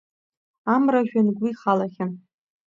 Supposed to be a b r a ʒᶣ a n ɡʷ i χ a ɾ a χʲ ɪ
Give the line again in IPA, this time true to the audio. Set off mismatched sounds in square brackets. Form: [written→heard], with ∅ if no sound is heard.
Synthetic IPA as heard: a [b→m] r a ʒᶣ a n ɡʷ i χ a [ɾ→l] a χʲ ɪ